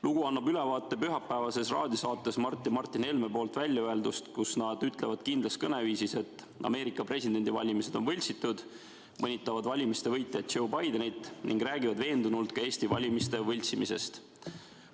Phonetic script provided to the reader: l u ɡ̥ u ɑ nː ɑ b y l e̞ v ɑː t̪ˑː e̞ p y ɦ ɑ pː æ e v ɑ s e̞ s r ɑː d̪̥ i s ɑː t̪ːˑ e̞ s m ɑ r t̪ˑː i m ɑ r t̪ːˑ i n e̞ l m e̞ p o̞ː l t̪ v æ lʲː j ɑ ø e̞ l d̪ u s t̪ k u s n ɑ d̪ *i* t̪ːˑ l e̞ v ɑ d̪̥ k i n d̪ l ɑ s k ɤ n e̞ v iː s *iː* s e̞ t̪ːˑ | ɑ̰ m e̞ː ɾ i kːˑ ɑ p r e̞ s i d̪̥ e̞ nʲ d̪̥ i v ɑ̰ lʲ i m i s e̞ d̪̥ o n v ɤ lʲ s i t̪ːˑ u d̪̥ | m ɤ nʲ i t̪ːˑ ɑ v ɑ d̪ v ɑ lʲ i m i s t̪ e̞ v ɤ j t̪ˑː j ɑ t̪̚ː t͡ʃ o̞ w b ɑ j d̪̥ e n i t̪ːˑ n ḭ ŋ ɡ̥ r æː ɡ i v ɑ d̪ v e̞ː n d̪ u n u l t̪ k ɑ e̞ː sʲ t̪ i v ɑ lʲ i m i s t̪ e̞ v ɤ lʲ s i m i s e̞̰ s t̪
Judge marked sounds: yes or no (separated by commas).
no, no